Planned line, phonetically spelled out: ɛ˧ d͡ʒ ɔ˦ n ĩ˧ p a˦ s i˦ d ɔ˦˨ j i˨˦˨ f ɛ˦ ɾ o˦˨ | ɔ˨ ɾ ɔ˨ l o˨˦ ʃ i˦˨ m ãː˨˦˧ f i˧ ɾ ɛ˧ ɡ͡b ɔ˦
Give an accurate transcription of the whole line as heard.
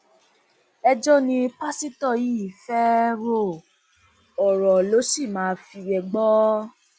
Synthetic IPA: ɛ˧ d͡ʒ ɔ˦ n ĩ˧ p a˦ s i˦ t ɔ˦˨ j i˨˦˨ f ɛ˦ ɾ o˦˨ | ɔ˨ ɾ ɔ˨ l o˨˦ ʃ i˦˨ m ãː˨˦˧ f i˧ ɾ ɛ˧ ɡ͡b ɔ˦